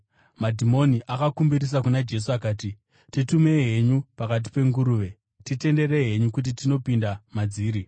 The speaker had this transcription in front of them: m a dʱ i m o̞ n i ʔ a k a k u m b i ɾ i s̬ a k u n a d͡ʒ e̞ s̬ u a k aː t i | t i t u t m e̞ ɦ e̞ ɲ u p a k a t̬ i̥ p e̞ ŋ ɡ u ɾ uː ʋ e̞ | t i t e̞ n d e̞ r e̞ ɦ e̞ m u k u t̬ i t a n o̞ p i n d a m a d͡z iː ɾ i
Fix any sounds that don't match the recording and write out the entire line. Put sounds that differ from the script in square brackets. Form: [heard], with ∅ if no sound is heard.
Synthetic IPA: m a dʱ i m o̞ n i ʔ a k a k u m b i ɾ i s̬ a k u n a d͡ʒ e̞ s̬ u a k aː t i | t i t u [∅] m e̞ ɦ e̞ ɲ u p a k a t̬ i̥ p e̞ ŋ ɡ u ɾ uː ʋ e̞ | t i t e̞ n d e̞ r e̞ ɦ e̞ [ɲ] u k u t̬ i t [i] n o̞ p i n d a m a d͡z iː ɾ i